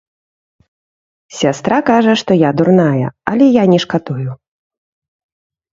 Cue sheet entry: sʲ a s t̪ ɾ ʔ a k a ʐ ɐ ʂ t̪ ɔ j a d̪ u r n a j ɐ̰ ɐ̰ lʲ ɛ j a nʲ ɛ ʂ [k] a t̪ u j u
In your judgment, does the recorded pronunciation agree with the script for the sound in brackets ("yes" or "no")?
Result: yes